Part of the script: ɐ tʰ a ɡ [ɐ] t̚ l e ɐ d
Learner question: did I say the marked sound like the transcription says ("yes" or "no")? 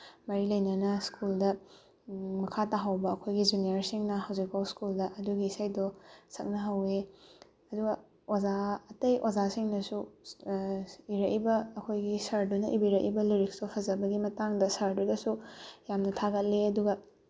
yes